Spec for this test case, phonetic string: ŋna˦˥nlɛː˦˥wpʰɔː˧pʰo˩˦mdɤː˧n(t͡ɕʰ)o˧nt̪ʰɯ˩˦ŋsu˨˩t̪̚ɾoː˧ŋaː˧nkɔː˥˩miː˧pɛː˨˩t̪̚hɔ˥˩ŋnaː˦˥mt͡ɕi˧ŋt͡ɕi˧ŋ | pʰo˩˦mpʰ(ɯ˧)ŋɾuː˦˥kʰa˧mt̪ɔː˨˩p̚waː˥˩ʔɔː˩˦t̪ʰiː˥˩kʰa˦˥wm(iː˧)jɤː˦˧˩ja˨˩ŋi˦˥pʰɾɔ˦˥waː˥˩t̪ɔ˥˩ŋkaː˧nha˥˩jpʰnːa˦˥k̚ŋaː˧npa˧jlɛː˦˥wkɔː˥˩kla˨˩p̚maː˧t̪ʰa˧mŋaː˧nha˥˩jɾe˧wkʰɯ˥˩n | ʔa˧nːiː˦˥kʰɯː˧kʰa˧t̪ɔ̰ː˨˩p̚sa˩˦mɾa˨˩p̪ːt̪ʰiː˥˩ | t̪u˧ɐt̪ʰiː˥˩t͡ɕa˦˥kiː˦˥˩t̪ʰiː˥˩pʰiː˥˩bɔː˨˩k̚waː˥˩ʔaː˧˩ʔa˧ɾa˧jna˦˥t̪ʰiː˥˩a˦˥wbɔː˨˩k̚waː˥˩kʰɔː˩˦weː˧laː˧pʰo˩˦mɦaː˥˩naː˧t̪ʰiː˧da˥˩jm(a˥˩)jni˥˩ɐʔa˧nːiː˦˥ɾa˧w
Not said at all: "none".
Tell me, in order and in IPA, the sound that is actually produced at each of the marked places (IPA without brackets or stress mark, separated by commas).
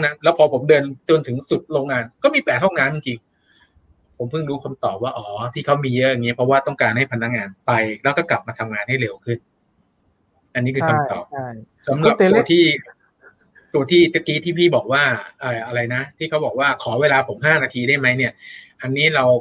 t͡ɕ, ɯ˥˩, iː˧, a˦˥